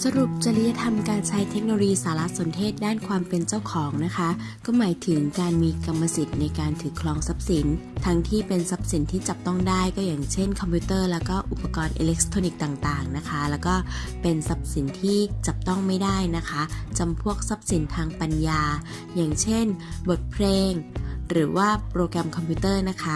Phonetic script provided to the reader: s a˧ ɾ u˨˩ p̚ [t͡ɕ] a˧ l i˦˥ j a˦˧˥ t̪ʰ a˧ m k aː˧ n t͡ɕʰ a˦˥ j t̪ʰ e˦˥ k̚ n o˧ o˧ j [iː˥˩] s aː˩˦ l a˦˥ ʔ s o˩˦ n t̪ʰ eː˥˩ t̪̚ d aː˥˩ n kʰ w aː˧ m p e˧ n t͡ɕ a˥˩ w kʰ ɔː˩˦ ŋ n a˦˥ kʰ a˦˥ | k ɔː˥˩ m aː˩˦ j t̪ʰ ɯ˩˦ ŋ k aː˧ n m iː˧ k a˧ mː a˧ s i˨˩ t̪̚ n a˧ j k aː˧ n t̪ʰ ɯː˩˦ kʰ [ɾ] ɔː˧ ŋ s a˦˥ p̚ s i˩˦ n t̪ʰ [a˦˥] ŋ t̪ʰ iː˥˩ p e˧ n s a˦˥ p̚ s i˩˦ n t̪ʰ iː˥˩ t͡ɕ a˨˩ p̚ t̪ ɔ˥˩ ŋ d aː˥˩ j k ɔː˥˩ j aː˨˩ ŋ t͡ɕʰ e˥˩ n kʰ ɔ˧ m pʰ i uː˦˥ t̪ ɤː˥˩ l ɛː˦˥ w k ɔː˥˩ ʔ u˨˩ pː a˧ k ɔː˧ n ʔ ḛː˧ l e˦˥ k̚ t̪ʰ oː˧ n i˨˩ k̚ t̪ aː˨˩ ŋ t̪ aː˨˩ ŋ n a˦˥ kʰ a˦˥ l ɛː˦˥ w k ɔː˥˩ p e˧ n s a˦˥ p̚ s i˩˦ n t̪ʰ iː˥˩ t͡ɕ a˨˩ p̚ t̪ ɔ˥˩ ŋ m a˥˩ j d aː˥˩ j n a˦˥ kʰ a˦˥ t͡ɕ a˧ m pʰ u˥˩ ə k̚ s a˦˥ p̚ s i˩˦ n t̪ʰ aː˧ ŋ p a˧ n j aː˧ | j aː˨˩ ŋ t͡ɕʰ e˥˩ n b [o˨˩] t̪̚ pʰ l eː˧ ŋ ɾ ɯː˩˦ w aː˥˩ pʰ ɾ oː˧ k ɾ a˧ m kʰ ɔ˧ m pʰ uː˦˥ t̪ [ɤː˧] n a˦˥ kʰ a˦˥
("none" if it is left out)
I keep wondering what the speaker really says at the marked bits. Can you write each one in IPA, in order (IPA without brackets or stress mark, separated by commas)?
t͡ɕ, iː˧, l, a˦˥, o˨˩, ɤː˥˩